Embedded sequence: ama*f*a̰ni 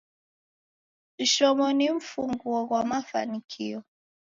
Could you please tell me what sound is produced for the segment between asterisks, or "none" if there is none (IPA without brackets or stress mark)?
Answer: f